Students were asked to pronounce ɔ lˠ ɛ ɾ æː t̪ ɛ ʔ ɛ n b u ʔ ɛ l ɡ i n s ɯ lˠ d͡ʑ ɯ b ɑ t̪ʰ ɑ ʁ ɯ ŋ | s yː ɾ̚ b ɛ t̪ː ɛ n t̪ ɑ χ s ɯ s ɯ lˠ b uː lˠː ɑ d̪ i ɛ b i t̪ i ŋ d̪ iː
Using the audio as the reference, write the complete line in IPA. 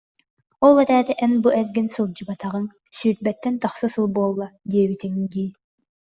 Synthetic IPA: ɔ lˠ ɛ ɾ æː t̪ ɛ ʔ ɛ n b u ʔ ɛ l ɡ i n s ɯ lˠ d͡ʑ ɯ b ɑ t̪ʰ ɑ ʁ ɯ ŋ | s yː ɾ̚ b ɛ t̪ː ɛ n t̪ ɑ χ s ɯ s ɯ lˠ b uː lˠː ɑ d̪ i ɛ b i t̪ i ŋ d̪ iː